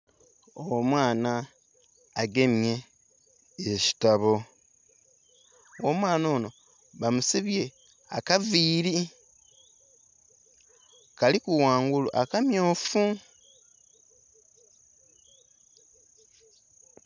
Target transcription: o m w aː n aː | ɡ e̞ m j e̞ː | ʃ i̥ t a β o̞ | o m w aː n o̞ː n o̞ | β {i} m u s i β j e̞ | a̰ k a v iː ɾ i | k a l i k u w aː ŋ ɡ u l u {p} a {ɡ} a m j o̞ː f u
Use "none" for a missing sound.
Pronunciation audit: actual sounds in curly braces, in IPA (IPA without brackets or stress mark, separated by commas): a, ʔ, k